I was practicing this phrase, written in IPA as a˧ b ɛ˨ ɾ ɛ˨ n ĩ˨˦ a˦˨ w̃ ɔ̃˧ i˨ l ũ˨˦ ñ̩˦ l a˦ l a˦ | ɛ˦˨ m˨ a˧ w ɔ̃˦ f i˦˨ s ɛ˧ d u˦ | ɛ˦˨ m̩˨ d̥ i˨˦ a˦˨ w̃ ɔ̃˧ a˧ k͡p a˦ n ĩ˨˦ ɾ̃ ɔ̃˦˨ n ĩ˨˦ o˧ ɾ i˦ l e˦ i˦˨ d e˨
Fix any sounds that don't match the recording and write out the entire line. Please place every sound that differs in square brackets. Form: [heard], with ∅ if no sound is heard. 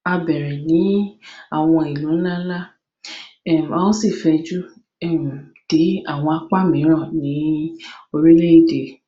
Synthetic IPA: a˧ b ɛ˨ ɾ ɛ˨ n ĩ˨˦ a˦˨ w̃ ɔ̃˧ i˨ l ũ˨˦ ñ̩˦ l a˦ l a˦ | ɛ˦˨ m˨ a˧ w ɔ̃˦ [s] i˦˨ [f] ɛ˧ [d͡ʒ] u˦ | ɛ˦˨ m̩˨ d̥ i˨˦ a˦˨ w̃ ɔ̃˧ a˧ k͡p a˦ [m] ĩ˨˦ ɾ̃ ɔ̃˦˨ n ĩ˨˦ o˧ ɾ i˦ l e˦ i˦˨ d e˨